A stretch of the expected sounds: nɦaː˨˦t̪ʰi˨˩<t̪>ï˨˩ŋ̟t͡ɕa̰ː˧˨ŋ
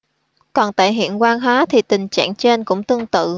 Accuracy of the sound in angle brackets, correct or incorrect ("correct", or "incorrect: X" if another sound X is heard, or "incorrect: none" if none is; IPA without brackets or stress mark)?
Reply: correct